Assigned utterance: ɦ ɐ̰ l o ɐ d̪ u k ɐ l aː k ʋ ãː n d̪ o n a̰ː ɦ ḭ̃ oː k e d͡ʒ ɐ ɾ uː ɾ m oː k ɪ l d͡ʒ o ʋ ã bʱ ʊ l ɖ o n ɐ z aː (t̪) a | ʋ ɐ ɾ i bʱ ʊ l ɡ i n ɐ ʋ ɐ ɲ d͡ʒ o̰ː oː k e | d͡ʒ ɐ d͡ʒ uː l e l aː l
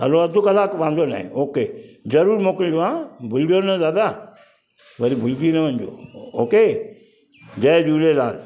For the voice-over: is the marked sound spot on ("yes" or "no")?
no